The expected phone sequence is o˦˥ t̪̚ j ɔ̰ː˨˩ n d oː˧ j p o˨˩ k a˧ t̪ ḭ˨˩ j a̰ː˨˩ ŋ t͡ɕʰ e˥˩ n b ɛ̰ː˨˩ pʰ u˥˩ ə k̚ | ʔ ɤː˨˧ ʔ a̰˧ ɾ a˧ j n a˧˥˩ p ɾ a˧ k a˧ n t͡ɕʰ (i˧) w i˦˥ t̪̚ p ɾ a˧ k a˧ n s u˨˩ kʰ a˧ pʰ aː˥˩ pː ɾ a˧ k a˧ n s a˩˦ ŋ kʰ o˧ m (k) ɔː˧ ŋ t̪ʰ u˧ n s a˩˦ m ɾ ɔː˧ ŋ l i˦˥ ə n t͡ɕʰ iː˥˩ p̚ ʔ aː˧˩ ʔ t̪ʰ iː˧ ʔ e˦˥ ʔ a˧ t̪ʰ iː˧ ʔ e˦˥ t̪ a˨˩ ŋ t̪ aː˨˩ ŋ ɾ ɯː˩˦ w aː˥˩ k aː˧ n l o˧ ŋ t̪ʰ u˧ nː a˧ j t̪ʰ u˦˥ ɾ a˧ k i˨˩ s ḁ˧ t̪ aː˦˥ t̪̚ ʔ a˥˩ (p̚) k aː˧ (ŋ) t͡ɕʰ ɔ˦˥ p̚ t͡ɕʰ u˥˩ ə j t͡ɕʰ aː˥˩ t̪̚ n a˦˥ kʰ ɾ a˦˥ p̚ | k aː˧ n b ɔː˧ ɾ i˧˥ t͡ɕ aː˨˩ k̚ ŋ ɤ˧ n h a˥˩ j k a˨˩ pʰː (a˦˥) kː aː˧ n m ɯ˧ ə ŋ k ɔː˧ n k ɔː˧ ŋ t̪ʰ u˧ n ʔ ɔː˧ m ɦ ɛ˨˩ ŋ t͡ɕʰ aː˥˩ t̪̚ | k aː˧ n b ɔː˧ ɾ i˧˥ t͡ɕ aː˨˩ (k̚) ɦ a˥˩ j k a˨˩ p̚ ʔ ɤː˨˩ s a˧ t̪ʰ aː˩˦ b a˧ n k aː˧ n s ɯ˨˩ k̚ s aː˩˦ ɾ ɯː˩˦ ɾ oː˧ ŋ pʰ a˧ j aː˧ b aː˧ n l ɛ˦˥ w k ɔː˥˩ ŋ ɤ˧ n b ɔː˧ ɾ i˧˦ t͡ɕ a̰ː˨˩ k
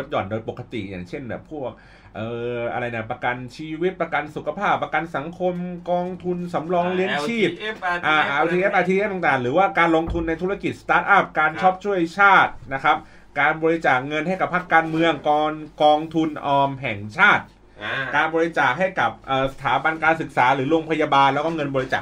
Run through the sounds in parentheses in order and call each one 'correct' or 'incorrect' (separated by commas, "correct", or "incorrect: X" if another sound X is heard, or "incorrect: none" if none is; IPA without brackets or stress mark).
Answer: incorrect: iː˧, correct, correct, incorrect: n, correct, correct